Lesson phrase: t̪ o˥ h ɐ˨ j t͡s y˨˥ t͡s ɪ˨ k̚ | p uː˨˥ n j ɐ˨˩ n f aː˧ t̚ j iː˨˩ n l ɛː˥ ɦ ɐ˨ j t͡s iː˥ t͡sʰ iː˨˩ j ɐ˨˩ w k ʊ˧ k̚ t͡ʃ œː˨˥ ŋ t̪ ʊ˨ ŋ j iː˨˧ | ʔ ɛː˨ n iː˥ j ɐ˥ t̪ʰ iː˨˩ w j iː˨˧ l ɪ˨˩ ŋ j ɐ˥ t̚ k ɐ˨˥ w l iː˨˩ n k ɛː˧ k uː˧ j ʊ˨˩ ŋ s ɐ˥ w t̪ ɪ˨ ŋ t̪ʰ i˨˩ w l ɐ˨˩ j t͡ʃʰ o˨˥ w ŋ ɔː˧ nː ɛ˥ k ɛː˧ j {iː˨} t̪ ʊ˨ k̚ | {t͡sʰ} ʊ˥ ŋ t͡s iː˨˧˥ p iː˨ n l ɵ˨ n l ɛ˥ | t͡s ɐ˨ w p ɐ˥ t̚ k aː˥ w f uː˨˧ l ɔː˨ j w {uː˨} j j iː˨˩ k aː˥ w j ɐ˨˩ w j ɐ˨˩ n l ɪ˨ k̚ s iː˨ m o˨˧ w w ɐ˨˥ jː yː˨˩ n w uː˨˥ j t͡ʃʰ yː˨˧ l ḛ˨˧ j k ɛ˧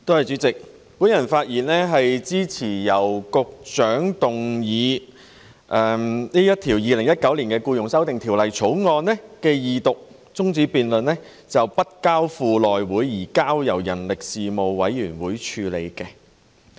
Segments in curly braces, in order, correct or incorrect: correct, incorrect: t͡s, incorrect: uː˨˥

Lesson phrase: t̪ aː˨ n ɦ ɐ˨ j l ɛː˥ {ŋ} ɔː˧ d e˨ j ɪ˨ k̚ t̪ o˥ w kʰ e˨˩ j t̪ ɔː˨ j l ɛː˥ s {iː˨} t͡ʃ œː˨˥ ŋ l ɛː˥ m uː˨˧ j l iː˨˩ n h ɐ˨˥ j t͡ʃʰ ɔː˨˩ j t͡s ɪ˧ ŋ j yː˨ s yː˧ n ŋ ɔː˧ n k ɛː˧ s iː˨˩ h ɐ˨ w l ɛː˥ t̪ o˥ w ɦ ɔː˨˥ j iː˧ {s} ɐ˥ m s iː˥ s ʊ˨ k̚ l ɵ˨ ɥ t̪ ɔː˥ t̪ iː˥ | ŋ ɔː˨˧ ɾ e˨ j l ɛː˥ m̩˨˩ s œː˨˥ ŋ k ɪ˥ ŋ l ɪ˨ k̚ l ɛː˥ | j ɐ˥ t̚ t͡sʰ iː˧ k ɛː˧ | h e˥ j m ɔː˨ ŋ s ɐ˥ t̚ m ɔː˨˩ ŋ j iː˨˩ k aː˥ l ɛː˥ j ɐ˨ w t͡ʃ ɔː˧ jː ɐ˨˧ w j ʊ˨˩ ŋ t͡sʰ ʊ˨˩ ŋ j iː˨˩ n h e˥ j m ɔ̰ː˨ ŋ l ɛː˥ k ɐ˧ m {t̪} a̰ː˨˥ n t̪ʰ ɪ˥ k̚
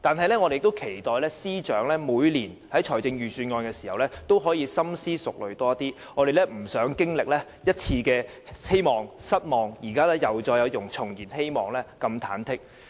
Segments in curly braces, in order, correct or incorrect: correct, incorrect: iː˥, correct, incorrect: t̪ʰ

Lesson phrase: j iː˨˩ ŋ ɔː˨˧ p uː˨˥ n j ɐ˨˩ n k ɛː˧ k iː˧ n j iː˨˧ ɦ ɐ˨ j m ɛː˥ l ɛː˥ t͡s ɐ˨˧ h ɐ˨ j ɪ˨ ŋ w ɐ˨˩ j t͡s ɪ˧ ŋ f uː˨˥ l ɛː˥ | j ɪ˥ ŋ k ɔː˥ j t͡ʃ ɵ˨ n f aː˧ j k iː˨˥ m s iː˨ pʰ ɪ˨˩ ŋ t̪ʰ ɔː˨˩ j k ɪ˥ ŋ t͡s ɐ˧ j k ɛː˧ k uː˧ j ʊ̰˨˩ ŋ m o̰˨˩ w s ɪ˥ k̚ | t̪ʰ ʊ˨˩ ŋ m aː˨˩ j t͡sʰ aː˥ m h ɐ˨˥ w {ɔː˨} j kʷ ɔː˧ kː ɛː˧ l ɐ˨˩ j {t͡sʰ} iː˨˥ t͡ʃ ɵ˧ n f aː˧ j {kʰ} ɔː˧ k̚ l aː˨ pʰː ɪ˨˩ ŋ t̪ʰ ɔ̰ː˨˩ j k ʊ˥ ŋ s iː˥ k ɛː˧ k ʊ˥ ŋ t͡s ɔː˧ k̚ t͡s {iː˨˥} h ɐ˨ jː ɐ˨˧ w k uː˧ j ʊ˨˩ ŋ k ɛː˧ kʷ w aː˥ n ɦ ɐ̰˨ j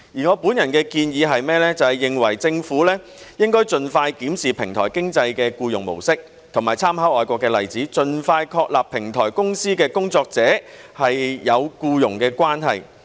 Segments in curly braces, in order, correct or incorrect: correct, incorrect: t͡s, correct, incorrect: ɛː˨˥

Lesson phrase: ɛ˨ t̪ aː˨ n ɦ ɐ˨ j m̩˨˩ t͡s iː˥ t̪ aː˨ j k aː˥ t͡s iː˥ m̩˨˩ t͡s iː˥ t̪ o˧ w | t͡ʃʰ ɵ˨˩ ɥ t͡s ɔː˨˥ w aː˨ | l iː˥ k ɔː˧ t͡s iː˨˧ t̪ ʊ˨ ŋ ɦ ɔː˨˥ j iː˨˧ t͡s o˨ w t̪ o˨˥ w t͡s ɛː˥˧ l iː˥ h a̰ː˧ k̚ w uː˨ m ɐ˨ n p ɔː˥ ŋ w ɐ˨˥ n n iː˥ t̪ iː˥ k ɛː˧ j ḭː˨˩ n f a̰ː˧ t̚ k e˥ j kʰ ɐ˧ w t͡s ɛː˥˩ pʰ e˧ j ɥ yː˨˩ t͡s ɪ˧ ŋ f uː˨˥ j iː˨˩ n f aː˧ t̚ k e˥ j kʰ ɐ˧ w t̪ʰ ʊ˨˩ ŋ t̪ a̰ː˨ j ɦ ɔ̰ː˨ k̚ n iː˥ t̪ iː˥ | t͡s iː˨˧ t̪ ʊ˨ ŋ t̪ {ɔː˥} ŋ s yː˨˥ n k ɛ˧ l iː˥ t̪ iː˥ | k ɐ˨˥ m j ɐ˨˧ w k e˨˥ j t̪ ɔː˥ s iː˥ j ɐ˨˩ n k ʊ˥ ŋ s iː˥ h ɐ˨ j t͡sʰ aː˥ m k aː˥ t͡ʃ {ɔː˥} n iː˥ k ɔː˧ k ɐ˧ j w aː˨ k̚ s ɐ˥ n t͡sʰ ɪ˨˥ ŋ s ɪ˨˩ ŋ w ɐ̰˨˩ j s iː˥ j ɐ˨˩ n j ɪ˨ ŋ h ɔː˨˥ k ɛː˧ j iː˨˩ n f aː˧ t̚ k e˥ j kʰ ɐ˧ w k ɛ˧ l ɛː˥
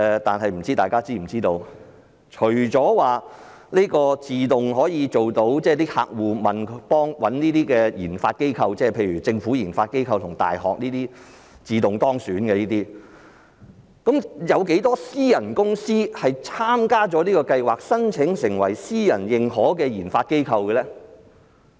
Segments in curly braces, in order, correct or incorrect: correct, incorrect: ɔː˨˥

